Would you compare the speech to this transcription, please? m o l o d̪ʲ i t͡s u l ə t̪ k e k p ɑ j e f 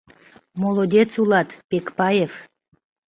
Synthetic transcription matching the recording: m o l o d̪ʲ e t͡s u l ɑ t̪ p e k p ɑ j e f